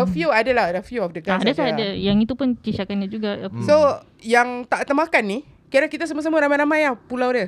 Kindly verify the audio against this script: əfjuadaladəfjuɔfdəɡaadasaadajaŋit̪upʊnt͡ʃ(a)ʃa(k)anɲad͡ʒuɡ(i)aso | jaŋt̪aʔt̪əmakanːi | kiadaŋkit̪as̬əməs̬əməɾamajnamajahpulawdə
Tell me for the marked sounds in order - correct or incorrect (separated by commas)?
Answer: incorrect, correct, incorrect